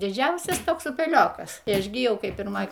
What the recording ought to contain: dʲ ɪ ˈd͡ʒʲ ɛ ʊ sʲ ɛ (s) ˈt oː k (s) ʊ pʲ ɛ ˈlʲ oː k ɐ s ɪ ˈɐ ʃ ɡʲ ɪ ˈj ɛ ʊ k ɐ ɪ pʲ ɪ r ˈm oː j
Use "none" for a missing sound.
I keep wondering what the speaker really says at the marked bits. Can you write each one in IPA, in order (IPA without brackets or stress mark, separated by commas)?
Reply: s, s